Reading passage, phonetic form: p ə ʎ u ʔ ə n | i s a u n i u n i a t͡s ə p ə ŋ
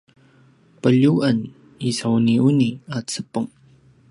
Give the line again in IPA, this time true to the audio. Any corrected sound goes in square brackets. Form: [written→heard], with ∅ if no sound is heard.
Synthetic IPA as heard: p ə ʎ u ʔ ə n | i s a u n i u n i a t͡s ə p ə ŋ